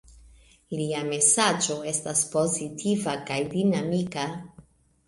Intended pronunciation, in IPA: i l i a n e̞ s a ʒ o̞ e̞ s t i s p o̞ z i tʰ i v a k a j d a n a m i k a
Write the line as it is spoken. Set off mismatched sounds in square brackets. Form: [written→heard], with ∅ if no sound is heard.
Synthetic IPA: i l i a [n→m] e̞ s a [ʒ→d͡ʒ] o̞ e̞ s t [i→a] s p o̞ z i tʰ i v a k a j d [a→i] n a m i k a

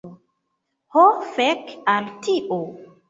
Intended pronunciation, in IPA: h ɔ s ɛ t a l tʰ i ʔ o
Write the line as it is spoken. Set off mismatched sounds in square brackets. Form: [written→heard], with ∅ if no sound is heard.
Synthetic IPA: h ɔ [s→f] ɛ [t→k] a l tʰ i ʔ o

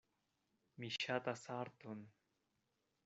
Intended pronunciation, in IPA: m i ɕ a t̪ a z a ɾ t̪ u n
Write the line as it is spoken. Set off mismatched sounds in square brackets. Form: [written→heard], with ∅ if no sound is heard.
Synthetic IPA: m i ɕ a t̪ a [z→s] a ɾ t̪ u n

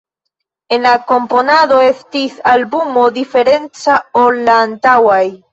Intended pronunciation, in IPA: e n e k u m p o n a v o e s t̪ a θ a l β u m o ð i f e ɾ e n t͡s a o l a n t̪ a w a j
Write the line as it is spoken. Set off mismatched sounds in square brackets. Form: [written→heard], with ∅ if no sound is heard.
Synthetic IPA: e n [e→a] k [u→o] m p o n a [v→ð] o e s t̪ [a→i] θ a l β u m o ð i f e ɾ e n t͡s a o l a n t̪ a w a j

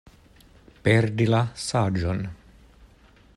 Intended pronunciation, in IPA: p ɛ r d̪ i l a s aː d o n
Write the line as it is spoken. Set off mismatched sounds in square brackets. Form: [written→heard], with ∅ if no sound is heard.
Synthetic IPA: p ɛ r d̪ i l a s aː [d→d͡ʒ] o n

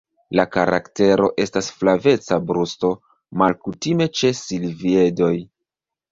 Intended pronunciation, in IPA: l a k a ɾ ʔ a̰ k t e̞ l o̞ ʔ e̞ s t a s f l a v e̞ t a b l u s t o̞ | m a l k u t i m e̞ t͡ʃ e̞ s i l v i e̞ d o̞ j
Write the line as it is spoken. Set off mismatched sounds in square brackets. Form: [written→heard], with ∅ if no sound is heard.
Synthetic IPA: l a k a ɾ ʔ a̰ k t e̞ [l→ɾ] o̞ ʔ e̞ s t a s f l a v e̞ [t→t͡s] a b [l→ɾ] u s t o̞ | m a l k u t i m e̞ t͡ʃ e̞ s i l v i e̞ d o̞ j

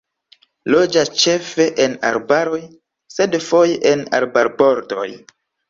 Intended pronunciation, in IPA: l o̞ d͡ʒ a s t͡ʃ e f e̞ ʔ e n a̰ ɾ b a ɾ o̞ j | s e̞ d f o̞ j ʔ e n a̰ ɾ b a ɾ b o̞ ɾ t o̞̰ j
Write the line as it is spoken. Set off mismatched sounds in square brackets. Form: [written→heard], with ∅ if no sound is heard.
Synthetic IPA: l o̞ d͡ʒ a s t͡ʃ e f e̞ ʔ e n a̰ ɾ b a ɾ o̞ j | s e̞ d f o̞ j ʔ e n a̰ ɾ b a ɾ b o̞ ɾ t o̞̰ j

